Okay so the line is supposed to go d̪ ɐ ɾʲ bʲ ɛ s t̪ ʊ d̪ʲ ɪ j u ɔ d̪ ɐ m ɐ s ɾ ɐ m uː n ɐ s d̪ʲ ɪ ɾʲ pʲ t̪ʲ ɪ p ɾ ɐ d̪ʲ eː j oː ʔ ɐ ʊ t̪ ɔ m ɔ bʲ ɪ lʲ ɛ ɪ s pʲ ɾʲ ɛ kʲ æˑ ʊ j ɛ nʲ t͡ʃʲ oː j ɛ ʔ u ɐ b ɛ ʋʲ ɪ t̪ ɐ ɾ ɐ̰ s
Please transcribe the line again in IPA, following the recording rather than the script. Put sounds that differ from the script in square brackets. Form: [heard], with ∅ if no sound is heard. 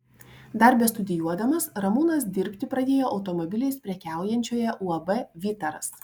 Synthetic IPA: d̪ ɐ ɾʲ bʲ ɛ s t̪ ʊ d̪ʲ ɪ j u ɔ d̪ ɐ m ɐ s ɾ ɐ m uː n ɐ s d̪ʲ ɪ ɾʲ pʲ t̪ʲ ɪ p ɾ ɐ d̪ʲ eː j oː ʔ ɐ ʊ t̪ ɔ m ɔ bʲ ɪ lʲ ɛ ɪ s pʲ ɾʲ ɛ kʲ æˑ ʊ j ɛ nʲ t͡ʃʲ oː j ɛ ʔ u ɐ b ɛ ʋʲ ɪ t̪ ɐ ɾ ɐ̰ s

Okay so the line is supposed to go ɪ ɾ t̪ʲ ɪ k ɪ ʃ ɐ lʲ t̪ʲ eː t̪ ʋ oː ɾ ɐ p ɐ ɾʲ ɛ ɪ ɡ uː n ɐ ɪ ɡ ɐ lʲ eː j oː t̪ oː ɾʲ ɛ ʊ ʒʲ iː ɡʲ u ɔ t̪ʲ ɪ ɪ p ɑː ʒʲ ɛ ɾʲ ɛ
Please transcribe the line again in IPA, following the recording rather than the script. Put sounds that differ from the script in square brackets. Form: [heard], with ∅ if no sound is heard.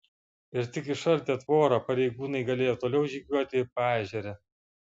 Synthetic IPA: ɪ ɾ t̪ʲ ɪ k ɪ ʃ ɐ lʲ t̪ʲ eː t̪ ʋ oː ɾ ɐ p ɐ ɾʲ ɛ ɪ ɡ uː n ɐ ɪ ɡ ɐ lʲ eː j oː t̪ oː [lʲ] ɛ ʊ ʒʲ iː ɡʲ u ɔ t̪ʲ ɪ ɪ p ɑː ʒʲ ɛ ɾʲ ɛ

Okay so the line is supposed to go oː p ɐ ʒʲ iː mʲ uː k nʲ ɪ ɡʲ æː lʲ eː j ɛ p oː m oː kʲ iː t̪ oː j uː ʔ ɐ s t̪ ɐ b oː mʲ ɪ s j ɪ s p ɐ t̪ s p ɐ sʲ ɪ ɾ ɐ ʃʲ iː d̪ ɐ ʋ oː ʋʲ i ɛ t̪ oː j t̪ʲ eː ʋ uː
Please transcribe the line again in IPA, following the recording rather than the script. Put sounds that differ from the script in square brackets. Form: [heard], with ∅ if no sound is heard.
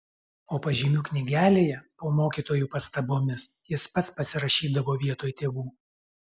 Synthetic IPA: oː p ɐ ʒʲ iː mʲ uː k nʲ ɪ ɡʲ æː lʲ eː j ɛ p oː m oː kʲ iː t̪ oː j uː [p] ɐ s t̪ ɐ b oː mʲ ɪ s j ɪ s p ɐ t̪ s p ɐ sʲ ɪ ɾ ɐ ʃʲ iː d̪ ɐ ʋ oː ʋʲ i ɛ t̪ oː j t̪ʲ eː ʋ uː

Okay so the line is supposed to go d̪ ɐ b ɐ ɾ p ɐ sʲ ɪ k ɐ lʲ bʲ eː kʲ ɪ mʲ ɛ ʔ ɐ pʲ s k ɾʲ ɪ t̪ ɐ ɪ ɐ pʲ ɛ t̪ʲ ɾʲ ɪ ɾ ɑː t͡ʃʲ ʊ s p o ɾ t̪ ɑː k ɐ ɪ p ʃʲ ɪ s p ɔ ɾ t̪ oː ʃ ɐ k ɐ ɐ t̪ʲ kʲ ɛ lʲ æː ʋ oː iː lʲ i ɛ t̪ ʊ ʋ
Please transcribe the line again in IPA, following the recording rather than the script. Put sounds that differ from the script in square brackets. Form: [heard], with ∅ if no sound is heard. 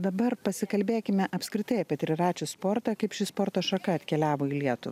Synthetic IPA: d̪ ɐ b ɐ ɾ p ɐ sʲ ɪ k ɐ lʲ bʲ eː kʲ ɪ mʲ ɛ ʔ ɐ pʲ s k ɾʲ ɪ t̪ ɐ ɪ ɐ pʲ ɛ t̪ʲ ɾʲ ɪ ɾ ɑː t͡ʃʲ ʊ s p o ɾ t̪ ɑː k ɐ ɪ p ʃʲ ɪ s p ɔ ɾ t̪ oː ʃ ɐ k ɐ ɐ t̪ʲ kʲ ɛ lʲ æː ʋ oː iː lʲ i ɛ t̪ ʊ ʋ

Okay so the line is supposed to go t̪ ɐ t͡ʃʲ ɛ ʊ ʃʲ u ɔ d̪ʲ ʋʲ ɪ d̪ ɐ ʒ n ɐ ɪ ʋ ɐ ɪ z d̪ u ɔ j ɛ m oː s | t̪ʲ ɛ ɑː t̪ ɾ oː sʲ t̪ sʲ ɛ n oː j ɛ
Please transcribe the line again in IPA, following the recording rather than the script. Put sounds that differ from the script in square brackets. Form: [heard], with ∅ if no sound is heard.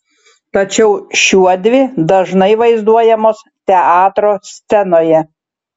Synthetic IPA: t̪ ɐ t͡ʃʲ ɛ ʊ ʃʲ u ɔ d̪ʲ ʋʲ ɪ d̪ ɐ ʒ n ɐ ɪ ʋ ɐ ɪ z d̪ u ɔ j ɛ m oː s | t̪ʲ ɛ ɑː t̪ ɾ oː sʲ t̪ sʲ ɛ n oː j ɛ

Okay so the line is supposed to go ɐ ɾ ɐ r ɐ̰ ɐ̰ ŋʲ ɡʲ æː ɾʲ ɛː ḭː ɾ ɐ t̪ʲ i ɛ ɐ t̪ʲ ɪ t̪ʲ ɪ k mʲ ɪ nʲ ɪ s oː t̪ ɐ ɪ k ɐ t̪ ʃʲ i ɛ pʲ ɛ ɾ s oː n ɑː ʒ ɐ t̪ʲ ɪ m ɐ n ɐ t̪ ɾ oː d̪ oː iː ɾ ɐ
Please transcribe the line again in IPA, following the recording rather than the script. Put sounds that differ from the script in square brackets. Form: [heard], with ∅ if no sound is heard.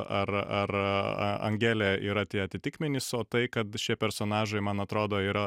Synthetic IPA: ɐ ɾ ɐ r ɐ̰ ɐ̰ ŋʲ ɡʲ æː [lʲ] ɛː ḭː ɾ ɐ t̪ʲ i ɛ ɐ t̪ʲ ɪ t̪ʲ ɪ k mʲ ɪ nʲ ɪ s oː t̪ ɐ ɪ k ɐ t̪ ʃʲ i ɛ pʲ ɛ ɾ s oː n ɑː ʒ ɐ [∅] ɪ m ɐ n ɐ t̪ ɾ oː d̪ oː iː ɾ ɐ

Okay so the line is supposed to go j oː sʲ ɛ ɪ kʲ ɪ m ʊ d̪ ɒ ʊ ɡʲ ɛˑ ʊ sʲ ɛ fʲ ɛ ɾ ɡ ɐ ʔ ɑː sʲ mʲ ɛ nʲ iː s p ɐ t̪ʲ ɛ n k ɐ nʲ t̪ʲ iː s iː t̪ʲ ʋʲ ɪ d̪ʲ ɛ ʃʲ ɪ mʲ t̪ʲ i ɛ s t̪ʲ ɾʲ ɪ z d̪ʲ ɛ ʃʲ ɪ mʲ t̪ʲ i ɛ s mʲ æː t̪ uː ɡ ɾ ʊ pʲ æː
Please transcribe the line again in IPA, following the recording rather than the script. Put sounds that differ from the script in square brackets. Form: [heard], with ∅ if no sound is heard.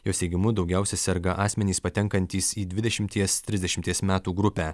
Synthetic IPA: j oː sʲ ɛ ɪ [ɡʲ] ɪ m ʊ d̪ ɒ ʊ ɡʲ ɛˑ ʊ sʲ ɛ [sʲ] ɛ ɾ ɡ ɐ ʔ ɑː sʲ mʲ ɛ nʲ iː s p ɐ t̪ʲ ɛ [ŋ] k ɐ nʲ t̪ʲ iː s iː [d̪ʲ] ʋʲ ɪ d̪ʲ ɛ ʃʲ ɪ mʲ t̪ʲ i ɛ s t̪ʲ ɾʲ ɪ z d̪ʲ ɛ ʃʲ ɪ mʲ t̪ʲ i ɛ s mʲ æː t̪ uː ɡ ɾ ʊ pʲ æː

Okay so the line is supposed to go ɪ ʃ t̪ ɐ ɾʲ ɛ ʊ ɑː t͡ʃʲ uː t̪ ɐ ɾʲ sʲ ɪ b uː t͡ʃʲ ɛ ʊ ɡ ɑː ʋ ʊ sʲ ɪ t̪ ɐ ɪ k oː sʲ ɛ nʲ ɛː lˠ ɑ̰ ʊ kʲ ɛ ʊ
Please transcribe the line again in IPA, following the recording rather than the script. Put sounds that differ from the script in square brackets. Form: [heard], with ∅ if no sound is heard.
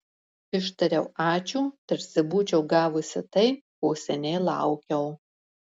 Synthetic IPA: ɪ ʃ t̪ ɐ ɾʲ ɛ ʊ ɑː t͡ʃʲ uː t̪ ɐ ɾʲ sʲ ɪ b uː t͡ʃʲ ɛ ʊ ɡ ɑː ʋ ʊ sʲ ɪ t̪ ɐ ɪ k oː sʲ ɛ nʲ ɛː lˠ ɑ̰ ʊ kʲ ɛ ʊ

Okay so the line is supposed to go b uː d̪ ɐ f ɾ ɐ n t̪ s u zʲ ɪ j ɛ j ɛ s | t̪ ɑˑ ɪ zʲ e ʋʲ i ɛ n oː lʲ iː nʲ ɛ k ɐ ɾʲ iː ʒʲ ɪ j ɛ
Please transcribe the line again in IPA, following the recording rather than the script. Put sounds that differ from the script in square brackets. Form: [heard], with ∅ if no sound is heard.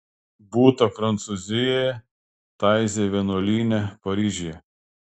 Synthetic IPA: b uː [t̪] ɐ f ɾ ɐ n t̪ s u zʲ ɪ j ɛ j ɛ [∅] | t̪ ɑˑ ɪ zʲ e ʋʲ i ɛ n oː lʲ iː nʲ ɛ [p] ɐ ɾʲ iː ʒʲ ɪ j ɛ

